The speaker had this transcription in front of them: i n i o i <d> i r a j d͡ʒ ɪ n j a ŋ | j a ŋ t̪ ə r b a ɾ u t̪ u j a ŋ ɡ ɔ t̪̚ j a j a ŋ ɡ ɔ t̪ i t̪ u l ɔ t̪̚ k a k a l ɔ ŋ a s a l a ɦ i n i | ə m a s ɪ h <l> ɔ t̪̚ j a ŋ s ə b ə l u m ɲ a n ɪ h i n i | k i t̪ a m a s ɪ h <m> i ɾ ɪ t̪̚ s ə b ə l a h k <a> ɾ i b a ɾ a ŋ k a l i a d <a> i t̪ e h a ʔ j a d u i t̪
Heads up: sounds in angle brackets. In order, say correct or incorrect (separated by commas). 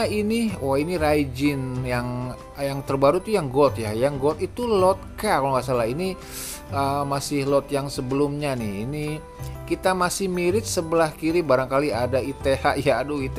incorrect, correct, correct, incorrect, correct